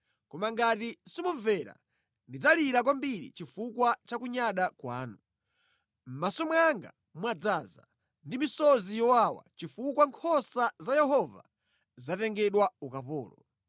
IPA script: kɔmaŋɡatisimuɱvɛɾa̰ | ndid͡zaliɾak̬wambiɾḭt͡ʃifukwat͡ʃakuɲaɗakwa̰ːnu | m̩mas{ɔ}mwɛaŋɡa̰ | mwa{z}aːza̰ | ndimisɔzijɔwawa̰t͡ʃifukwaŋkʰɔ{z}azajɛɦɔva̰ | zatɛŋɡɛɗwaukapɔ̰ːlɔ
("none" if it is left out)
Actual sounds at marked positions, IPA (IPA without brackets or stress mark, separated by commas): ɔ, d͡z, s